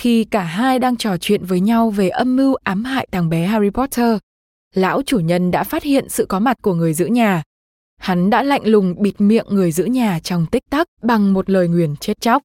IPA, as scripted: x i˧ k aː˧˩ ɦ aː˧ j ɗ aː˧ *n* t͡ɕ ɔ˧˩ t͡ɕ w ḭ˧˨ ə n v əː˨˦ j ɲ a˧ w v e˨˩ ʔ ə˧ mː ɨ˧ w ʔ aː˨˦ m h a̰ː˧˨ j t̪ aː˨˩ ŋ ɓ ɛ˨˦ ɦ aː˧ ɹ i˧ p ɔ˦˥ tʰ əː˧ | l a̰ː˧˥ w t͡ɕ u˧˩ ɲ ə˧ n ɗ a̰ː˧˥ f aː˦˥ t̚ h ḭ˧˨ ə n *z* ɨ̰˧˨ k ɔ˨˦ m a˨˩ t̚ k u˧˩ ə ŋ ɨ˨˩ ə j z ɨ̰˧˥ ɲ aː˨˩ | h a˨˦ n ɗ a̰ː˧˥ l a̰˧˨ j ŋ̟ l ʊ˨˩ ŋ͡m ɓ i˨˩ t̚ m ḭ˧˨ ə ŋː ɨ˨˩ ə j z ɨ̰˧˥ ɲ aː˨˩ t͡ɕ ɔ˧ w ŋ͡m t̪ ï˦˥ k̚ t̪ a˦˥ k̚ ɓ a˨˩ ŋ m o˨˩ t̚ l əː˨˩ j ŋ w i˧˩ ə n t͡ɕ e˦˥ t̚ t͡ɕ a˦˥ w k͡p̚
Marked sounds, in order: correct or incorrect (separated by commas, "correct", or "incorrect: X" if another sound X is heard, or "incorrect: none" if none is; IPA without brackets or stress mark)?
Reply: incorrect: ŋ, incorrect: s